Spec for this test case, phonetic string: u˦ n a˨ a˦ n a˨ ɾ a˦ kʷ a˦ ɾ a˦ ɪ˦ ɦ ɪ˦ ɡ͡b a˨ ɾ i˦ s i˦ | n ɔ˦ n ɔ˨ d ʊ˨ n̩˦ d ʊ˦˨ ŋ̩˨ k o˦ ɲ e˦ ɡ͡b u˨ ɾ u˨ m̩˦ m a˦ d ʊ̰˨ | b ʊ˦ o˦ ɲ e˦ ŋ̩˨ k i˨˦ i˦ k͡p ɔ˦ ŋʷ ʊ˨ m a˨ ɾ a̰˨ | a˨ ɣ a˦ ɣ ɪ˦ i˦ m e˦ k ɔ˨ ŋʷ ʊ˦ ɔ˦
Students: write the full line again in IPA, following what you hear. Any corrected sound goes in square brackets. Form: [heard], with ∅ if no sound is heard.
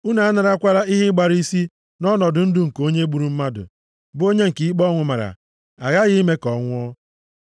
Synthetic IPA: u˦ n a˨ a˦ n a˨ ɾ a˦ kʷ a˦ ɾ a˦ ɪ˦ ɦ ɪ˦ ɡ͡b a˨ ɾ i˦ s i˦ | n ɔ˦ n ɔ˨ d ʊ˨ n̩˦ d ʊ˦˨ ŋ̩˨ k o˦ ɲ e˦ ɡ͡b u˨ ɾ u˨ m̩˦ m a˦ d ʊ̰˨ | b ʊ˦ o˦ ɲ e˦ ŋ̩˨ k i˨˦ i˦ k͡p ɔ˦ ŋʷ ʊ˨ m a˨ ɾ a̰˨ | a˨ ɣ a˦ ɣ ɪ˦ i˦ m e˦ k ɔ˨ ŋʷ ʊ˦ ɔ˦